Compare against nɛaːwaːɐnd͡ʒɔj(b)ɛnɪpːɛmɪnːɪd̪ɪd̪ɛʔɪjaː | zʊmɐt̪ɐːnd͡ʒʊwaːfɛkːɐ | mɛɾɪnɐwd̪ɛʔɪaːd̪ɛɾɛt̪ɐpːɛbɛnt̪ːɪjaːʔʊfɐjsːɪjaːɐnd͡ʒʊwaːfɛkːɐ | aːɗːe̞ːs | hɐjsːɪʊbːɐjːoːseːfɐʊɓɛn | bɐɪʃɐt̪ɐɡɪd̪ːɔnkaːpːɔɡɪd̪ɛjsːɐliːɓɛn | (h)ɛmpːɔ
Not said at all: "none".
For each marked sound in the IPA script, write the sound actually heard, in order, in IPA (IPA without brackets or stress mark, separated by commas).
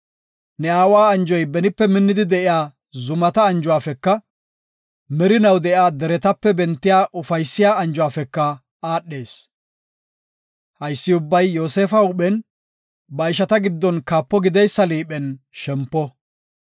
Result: b, ʃ